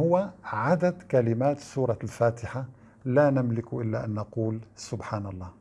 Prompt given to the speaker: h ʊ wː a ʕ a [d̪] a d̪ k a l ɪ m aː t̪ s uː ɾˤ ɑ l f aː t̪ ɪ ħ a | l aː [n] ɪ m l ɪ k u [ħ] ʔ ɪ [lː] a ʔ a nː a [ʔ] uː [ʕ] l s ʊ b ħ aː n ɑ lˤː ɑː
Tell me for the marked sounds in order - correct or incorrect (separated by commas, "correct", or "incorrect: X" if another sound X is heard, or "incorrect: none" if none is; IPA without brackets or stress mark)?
correct, correct, incorrect: none, correct, incorrect: q, incorrect: none